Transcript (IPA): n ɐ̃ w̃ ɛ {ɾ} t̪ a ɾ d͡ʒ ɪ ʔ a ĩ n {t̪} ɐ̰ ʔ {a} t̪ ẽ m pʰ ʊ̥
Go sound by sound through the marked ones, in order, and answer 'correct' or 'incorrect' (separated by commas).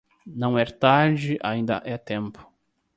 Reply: correct, incorrect, incorrect